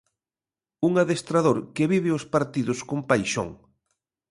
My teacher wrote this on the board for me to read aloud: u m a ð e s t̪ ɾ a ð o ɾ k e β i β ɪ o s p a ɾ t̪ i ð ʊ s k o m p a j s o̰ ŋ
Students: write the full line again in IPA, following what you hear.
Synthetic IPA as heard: u ŋ a ð e s t̪ ɾ a ð o ɾ k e β i β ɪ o s p a ɾ t̪ i ð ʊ s k o m p a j ʃ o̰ ŋ